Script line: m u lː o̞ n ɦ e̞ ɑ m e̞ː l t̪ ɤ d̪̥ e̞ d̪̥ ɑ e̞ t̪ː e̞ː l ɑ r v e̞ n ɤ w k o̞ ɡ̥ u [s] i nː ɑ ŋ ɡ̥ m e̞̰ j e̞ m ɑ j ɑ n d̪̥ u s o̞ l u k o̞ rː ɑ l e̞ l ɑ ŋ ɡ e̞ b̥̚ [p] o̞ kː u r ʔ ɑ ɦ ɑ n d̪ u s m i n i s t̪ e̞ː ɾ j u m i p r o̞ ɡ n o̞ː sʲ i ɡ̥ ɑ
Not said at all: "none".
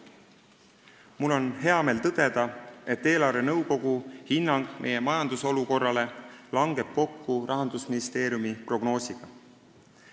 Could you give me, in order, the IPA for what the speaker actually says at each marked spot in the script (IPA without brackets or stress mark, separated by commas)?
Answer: h, k